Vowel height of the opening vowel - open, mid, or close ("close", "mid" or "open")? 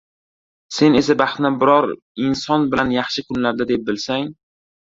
mid